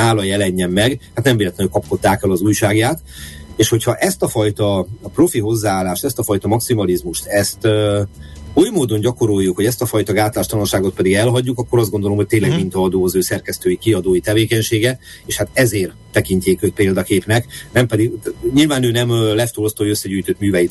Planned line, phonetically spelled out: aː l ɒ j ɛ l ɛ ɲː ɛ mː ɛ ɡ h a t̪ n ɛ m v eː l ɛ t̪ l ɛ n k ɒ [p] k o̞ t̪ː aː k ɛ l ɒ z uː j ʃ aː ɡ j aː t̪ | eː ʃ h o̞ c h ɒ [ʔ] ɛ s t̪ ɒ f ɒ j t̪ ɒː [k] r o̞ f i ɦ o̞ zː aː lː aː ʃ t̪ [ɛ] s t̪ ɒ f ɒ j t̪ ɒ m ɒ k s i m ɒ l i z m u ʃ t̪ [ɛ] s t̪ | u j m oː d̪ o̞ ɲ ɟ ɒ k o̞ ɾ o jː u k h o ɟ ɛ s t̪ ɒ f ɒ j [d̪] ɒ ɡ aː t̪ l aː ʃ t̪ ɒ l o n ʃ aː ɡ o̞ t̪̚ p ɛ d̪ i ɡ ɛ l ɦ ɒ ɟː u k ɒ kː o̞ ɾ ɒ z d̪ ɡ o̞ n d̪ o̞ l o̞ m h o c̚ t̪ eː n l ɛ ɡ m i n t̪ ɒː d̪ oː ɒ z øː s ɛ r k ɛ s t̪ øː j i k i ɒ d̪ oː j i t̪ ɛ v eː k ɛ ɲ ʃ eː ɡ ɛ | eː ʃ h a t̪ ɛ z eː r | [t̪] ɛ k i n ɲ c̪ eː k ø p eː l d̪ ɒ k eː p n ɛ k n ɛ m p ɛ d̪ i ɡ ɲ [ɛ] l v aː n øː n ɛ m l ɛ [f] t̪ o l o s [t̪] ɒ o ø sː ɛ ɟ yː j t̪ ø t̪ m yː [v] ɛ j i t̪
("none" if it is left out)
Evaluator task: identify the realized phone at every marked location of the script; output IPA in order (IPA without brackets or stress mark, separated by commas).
p, ʔ, p, ɛ, ɛ, t̪, t̪, i, f, t̪, v